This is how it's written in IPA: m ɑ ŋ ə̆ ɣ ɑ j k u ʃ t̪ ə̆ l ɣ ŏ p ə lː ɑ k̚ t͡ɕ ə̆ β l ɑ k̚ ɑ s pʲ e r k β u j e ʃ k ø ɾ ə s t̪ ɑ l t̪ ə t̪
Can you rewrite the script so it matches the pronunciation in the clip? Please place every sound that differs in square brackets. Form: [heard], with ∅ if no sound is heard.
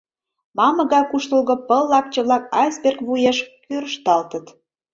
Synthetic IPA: m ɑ [m] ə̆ ɣ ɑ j k u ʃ t̪ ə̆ l ɣ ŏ p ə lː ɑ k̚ t͡ɕ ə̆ β l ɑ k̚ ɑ s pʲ e r k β u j e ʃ k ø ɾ ə [ʃ] t̪ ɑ l t̪ ə t̪